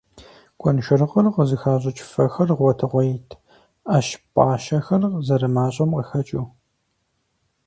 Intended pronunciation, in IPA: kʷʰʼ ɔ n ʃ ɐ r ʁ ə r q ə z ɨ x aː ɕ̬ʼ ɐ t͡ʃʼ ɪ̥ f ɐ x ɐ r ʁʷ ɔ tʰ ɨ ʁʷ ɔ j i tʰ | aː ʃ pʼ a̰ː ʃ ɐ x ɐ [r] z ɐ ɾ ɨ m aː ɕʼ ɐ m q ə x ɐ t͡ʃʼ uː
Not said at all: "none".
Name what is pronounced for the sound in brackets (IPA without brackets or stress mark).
r